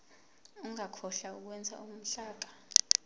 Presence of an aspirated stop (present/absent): present